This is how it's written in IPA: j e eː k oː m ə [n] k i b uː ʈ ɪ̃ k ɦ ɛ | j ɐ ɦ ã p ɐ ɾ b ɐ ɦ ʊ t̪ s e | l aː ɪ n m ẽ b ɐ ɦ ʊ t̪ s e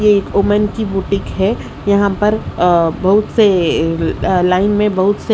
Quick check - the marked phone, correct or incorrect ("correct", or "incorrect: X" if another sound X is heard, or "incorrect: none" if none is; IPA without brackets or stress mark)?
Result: correct